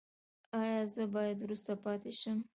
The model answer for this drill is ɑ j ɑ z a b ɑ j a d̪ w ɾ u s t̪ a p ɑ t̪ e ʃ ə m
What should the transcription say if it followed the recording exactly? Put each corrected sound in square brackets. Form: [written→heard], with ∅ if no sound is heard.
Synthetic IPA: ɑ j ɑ z [a→ə] b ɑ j a d̪ w ɾ u s t̪ a p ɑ t̪ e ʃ ə m

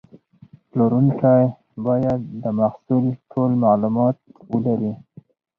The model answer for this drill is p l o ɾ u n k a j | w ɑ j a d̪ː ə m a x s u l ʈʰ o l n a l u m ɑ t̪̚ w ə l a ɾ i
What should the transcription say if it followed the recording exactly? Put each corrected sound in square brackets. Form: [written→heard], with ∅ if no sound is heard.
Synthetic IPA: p l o ɾ u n k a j | [w→b] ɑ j a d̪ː ə m a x s u l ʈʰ o l [n→m] a l u m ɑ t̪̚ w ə l a ɾ i

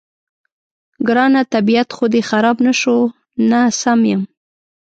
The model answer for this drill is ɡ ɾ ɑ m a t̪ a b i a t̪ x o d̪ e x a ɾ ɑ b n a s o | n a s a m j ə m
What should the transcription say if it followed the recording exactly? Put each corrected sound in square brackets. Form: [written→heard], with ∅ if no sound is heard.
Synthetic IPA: ɡ ɾ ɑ [m→n] a t̪ a b i a t̪ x o d̪ e x a ɾ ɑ b n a [s→ʃ] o | n a s a m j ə m

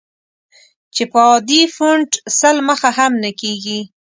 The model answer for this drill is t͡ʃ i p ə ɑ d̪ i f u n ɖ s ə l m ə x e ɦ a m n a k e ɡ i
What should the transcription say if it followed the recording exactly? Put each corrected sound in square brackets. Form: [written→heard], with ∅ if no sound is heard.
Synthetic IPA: t͡ʃ [i→e] p ə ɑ d̪ i f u [n→ɳ] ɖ s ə l m ə x [e→a] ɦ a m n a k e ɡ i

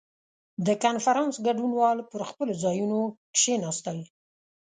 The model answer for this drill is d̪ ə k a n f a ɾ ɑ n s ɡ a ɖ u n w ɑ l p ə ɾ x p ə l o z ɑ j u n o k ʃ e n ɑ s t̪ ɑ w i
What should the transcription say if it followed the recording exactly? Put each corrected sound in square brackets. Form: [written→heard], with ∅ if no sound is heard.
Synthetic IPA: d̪ ə k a n f a ɾ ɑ n s ɡ a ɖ u n w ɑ l p ə ɾ x p ə l o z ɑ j u n o k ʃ e n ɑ s t̪ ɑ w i

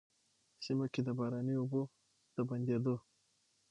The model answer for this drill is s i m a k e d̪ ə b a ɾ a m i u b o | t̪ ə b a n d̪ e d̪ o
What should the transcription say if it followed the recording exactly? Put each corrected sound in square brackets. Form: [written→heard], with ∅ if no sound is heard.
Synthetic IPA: s i m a k e d̪ ə b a ɾ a [m→n] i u b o | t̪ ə b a n d̪ e d̪ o

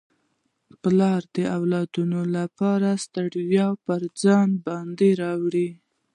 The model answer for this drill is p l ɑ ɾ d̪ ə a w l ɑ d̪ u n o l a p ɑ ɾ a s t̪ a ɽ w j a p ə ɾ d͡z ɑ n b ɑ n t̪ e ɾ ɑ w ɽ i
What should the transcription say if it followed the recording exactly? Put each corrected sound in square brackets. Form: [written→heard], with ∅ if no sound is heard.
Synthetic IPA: p l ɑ ɾ d̪ ə a w l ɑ d̪ u n o l a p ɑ ɾ a s t̪ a ɽ w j [a→ɑ] p ə ɾ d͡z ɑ n b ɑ n [t̪→d̪] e ɾ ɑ w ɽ i

